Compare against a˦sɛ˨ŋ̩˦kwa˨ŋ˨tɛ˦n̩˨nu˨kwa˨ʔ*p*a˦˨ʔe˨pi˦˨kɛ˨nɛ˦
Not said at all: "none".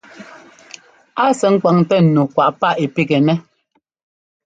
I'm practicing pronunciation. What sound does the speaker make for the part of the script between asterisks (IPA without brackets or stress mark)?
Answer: p